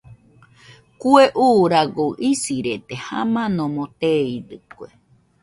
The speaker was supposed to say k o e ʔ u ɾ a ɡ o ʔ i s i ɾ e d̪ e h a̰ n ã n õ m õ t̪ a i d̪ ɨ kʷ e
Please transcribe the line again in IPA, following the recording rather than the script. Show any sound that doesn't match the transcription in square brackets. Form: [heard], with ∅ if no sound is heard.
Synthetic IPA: k [u] e ʔ u ɾ a ɡ o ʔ i s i ɾ e [t̪] e h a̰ [m] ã n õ m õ t̪ [e] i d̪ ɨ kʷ e